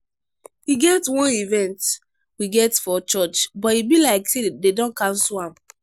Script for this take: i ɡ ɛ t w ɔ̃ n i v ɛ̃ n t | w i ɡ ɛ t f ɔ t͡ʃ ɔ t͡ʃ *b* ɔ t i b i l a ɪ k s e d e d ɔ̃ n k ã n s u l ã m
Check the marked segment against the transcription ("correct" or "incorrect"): correct